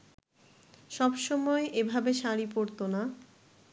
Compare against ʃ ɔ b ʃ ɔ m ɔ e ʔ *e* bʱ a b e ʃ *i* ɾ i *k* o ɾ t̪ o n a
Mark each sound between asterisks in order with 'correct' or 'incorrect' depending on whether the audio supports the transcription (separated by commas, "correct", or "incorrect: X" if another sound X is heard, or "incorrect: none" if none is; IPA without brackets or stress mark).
correct, incorrect: a, incorrect: p